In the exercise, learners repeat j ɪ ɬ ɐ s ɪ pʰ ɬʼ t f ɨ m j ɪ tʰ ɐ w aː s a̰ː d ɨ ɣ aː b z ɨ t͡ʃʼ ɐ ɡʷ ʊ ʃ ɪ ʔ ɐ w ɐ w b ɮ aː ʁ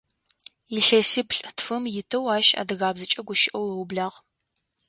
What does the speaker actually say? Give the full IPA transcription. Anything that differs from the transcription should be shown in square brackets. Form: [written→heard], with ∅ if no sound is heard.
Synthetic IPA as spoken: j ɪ ɬ ɐ s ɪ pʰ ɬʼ t f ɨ m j ɪ tʰ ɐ w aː [s→ʃ] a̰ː d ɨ ɣ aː b z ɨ t͡ʃʼ ɐ ɡʷ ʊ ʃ ɪ ʔ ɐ w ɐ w b ɮ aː ʁ